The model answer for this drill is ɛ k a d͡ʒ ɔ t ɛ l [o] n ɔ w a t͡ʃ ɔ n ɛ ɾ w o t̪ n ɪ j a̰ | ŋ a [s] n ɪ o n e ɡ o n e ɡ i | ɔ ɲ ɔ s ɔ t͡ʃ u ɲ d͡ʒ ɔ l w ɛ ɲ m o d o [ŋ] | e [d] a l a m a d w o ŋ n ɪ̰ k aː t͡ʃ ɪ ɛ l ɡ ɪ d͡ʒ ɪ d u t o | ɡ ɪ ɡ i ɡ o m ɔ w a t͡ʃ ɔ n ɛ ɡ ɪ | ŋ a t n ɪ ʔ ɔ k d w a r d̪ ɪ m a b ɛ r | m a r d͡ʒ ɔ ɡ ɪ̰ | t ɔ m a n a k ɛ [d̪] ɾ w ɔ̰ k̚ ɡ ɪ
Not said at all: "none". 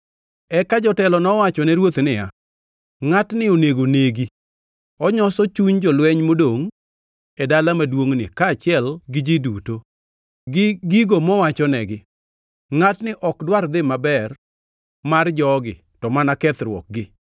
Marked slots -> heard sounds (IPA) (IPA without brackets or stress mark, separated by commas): ɔ, t, ŋ, d, t̪